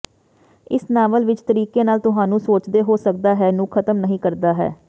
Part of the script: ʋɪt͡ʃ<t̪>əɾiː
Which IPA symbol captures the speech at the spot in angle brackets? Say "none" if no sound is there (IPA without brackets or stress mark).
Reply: t̪